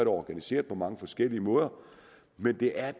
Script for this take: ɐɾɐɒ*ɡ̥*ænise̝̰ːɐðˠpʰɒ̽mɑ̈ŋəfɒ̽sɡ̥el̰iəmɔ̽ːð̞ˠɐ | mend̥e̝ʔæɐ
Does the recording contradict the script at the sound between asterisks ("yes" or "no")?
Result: no